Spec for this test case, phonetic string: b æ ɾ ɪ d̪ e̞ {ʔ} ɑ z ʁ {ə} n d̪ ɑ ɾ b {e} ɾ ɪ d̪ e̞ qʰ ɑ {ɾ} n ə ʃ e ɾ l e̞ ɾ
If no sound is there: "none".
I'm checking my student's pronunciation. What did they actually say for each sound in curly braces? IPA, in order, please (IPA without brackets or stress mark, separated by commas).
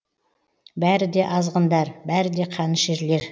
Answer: ʔ, ə, æ, none